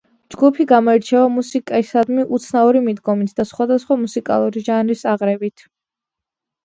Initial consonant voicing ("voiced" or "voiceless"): voiced